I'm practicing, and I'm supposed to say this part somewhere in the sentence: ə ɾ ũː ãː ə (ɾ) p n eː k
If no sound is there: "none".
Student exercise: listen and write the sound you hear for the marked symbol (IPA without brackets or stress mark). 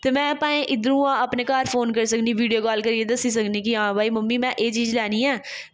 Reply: none